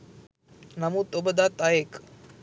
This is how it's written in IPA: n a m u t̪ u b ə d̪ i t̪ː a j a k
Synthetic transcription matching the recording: n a m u t̪ o b ə d̪ a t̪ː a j e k